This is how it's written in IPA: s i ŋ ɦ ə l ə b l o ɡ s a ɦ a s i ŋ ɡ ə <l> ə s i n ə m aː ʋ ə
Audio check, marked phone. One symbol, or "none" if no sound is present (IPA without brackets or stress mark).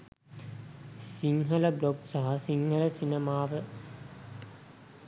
l